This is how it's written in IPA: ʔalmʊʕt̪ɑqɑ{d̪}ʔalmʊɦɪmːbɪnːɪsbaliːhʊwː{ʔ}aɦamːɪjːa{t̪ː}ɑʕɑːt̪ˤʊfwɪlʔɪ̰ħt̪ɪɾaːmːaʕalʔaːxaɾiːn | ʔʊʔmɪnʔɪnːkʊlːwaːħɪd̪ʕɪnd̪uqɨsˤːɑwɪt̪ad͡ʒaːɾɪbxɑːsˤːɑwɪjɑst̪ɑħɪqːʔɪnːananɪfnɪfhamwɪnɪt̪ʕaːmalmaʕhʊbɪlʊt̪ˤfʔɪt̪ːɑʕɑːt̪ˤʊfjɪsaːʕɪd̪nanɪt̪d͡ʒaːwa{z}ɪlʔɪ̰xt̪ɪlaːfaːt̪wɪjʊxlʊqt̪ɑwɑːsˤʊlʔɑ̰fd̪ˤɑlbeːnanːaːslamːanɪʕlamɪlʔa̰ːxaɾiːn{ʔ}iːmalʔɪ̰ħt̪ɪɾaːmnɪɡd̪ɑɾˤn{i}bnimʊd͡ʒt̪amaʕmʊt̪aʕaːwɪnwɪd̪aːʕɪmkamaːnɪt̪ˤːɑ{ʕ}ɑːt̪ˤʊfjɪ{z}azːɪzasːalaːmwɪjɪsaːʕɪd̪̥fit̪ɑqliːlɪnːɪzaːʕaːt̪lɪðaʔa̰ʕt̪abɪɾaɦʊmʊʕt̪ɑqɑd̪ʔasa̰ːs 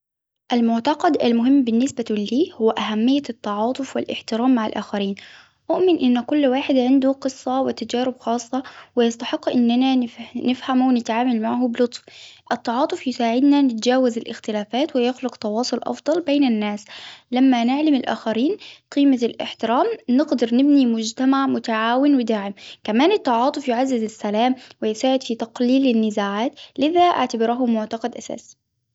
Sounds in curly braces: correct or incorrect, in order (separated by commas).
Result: correct, correct, correct, correct, incorrect, incorrect, correct, incorrect